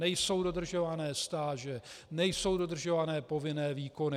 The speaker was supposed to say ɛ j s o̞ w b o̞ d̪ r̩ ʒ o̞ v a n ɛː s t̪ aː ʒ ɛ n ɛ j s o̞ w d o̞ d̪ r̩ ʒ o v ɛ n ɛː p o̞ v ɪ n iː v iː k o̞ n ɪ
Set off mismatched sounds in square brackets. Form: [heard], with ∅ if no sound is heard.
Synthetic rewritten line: ɛ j s o̞ w [d] o̞ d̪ r̩ ʒ o̞ v a n ɛː s t̪ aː ʒ ɛ n ɛ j s o̞ w d o̞ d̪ r̩ ʒ o v [a] n ɛː p o̞ v ɪ n [ɛː] v iː k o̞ n ɪ

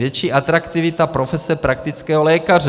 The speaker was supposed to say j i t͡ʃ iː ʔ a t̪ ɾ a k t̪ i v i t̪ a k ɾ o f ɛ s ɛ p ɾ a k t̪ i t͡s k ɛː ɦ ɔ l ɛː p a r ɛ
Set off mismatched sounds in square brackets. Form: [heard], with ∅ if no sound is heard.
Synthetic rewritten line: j [ɛ] t͡ʃ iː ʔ a t̪ ɾ a k t̪ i v i t̪ a [p] ɾ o f ɛ s ɛ p ɾ a k t̪ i t͡s k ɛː ɦ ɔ l ɛː [k] a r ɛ

